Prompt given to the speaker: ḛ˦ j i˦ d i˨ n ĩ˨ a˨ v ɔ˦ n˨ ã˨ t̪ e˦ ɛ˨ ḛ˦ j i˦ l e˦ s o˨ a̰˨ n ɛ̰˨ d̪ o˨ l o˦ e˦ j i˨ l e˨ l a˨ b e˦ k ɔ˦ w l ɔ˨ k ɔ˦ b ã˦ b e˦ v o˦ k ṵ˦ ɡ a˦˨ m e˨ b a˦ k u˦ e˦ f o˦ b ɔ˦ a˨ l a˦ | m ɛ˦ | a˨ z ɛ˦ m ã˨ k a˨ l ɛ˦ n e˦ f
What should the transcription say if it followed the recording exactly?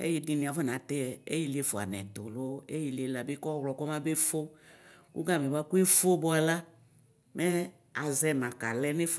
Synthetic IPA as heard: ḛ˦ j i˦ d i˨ n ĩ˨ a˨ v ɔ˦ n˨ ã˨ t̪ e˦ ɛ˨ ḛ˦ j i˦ l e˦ f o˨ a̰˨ n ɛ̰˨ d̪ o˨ l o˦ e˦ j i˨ l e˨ l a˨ b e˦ k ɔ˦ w l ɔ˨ k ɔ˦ m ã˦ b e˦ f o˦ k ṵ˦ ɡ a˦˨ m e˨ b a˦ k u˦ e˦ f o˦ b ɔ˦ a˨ l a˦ | m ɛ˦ | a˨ z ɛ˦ m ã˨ k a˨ l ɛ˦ n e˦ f

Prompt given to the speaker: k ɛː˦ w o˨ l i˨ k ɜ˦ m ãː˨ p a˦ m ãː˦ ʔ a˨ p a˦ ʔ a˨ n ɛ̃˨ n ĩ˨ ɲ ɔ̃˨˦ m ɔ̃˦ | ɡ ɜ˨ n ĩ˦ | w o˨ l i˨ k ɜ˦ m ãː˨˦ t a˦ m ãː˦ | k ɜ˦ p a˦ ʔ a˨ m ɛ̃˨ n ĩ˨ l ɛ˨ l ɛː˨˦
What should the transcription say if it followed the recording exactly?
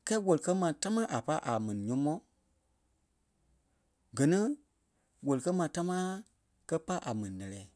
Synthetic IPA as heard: k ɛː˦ w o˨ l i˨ k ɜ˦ m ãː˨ t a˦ m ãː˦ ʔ a˨ p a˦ ʔ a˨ m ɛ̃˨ n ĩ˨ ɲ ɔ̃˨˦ m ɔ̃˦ | ɡ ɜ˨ n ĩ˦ | w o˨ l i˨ k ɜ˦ m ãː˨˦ t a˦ m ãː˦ | k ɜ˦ p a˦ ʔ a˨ m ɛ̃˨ n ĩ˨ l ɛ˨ l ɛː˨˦

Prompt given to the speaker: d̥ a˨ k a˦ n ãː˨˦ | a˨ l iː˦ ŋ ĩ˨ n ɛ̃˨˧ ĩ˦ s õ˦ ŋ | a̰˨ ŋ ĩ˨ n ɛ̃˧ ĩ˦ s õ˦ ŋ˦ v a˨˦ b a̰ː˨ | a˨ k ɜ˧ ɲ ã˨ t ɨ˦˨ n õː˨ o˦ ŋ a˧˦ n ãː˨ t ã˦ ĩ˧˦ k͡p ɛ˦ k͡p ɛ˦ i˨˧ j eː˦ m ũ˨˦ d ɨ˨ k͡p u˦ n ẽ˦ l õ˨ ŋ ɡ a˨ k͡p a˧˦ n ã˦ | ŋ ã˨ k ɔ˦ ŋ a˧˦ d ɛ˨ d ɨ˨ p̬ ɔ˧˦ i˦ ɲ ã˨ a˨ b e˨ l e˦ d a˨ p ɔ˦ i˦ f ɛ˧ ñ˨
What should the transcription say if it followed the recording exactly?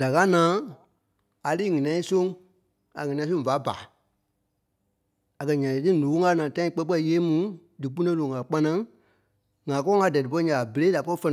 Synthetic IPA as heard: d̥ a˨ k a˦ n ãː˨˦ | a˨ l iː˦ ŋ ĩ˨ n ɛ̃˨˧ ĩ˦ s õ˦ ŋ | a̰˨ ŋ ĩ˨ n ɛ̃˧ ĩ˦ s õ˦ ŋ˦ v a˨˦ b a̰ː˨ | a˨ k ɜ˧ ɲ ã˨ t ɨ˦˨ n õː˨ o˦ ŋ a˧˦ n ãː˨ t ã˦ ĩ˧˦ k͡p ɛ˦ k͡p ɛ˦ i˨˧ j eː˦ m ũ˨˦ d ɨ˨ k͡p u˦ n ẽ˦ l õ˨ ŋ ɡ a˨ k͡p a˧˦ n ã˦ | ŋ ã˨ k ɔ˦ ŋ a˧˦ d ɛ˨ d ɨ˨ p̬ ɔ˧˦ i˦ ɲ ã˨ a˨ b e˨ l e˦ d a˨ p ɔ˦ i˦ f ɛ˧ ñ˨

